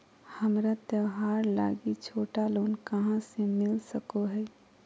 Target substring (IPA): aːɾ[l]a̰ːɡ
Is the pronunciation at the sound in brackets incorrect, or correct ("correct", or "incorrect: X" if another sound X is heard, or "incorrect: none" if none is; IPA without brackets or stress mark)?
correct